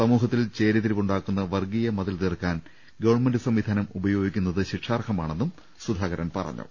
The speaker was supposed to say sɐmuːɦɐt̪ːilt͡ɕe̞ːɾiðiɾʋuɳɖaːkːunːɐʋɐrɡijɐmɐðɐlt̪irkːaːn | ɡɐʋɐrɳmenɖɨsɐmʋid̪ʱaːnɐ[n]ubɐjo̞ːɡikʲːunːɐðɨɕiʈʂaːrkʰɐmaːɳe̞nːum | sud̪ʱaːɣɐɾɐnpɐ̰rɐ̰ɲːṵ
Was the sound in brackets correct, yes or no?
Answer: no